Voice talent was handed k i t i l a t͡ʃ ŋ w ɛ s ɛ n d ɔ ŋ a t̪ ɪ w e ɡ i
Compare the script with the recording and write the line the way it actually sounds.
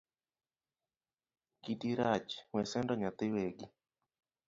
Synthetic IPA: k i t i ɾ a t͡ʃ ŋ w ɛ s ɛ n d ɔ ɲ a t̪ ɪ w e ɡ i